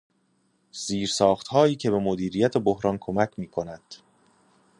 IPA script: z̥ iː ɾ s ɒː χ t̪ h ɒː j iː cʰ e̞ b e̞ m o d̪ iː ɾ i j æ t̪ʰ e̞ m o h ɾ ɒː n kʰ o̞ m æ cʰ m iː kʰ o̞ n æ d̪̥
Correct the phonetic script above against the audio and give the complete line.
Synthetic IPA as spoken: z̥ iː ɾ s ɒː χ t̪ h ɒː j iː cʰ e̞ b e̞ m o d̪ iː ɾ i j æ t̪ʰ e̞ b o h ɾ ɒː n kʰ o̞ m æ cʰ m iː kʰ o̞ n æ d̪̥

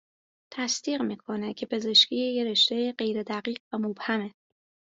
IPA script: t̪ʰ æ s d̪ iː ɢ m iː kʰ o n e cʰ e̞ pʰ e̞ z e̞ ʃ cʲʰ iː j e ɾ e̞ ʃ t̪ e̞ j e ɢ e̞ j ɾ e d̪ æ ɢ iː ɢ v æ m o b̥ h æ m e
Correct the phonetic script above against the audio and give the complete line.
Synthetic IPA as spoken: t̪ʰ æ s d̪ iː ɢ m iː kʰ o n e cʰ e̞ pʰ e̞ z e̞ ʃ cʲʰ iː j e ɾ e̞ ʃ t̪ e̞ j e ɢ e̞ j ɾ e d̪ æ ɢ iː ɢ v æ m o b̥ h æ m e

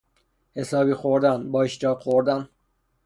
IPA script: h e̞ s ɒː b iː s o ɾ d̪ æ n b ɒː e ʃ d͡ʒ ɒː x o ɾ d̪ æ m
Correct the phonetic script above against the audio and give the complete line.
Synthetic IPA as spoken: h e̞ s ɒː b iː x o ɾ d̪ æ n b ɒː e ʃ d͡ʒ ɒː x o ɾ d̪ æ n

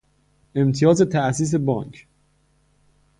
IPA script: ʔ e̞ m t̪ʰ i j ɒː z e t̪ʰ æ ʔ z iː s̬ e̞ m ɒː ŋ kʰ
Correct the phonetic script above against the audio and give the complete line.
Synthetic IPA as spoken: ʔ e̞ m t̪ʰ i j ɒː z e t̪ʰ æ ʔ s iː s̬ e̞ b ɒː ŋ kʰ

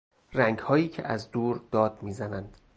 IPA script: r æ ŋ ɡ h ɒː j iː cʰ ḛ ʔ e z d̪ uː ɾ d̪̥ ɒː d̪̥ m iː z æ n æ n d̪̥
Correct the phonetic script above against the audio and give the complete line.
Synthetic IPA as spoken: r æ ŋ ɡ h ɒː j iː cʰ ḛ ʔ æ z d̪ uː ɾ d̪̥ ɒː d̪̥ m iː z æ n æ n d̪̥

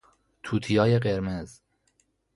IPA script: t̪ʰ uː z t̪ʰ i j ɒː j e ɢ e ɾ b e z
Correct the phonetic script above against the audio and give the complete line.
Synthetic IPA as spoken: t̪ʰ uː t̪ʰ i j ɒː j e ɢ e ɾ m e z

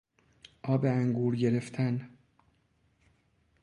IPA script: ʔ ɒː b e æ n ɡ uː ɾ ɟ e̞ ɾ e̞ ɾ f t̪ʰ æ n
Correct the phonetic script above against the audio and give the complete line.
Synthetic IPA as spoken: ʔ ɒː b e æ ŋ ɡ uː ɾ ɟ e̞ ɾ e̞ f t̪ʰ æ n

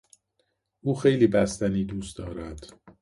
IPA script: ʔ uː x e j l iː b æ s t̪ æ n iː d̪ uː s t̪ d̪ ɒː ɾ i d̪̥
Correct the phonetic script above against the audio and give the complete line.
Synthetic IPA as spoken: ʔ uː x e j l iː b æ s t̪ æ n iː d̪ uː s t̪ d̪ ɒː ɾ æ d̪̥

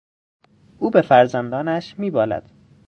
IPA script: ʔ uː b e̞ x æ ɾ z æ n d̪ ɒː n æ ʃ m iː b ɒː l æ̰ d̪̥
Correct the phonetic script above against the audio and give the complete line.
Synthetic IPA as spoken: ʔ uː b e̞ f æ ɾ z æ n d̪ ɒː n æ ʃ m iː b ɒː l æ̰ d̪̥

